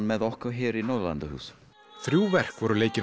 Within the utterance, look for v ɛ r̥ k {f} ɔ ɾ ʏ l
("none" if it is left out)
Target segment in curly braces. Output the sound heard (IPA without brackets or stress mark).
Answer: v